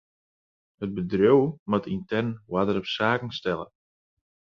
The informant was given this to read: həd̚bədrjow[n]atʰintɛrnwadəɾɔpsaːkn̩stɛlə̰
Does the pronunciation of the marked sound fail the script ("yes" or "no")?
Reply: yes